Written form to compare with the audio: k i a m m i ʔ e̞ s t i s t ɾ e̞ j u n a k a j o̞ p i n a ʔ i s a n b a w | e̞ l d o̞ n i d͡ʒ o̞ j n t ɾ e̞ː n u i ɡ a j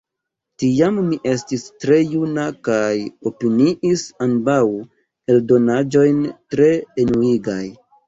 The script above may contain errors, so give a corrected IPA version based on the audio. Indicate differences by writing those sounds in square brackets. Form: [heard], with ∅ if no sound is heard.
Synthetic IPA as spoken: [t] i a m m i ʔ e̞ s t i s t ɾ e̞ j u n a k a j o̞ p i n [i] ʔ i s a n b a w | e̞ l d o̞ n [a] d͡ʒ o̞ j n t ɾ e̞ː n u i ɡ a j